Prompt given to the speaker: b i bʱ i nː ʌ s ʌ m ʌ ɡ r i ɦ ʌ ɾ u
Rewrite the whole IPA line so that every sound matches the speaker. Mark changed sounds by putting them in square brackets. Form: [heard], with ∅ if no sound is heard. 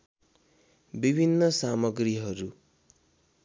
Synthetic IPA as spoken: b i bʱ i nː ʌ s [a] m ʌ ɡ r i ɦ ʌ ɾ u